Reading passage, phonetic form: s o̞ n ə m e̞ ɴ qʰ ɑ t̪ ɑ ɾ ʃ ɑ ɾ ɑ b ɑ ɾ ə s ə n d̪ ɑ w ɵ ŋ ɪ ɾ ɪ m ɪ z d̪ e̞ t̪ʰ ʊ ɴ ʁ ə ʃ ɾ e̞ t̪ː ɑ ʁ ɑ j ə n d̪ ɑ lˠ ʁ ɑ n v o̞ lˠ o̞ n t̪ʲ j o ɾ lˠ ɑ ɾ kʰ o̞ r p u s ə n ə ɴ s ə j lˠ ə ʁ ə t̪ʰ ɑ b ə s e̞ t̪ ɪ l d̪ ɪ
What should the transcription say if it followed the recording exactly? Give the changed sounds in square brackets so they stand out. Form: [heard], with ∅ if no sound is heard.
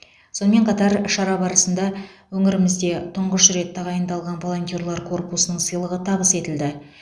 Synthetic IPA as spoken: s o̞ n ə m e̞ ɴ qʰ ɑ t̪ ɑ ɾ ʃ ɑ ɾ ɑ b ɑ ɾ ə s ə n d̪ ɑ w ɵ ŋ ɪ ɾ ɪ m ɪ z d̪ e̞ t̪ʰ ʊ ɴ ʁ ə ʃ ɾ e̞ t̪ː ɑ ʁ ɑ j ə n d̪ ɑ lˠ ʁ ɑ n v o̞ lˠ o̞ n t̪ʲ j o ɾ lˠ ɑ ɾ kʰ o̞ r p u s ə n ə ɴ s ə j lˠ ə ʁ ə t̪ʰ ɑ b ə s e̞ t̪ ɪ l d̪ ɪ